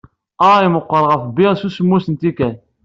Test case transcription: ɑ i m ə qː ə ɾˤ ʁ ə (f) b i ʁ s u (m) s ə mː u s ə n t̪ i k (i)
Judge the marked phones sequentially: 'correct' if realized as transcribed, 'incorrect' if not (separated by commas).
correct, incorrect, incorrect